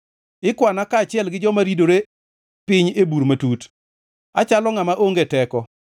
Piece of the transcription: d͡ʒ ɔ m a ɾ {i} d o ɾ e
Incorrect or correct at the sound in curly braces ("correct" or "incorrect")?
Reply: correct